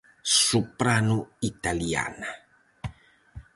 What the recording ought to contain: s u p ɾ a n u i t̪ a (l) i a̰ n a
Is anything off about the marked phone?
no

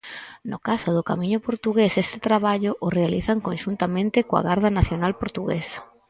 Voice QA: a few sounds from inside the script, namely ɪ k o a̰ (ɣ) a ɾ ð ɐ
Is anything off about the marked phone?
no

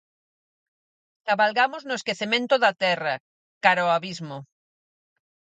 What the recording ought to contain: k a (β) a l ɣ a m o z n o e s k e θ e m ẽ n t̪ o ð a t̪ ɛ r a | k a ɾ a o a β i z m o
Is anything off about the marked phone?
no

